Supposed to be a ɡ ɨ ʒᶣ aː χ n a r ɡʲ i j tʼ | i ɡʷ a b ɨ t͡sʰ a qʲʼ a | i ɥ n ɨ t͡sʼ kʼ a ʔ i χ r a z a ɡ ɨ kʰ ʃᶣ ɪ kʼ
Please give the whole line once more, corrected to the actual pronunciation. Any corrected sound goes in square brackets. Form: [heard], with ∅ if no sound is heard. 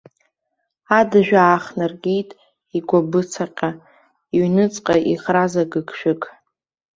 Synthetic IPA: a [d] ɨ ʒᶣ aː χ n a r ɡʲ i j tʼ | i ɡʷ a b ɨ t͡sʰ a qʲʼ a | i ɥ n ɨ t͡sʼ [qʼ] a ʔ i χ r a z a ɡ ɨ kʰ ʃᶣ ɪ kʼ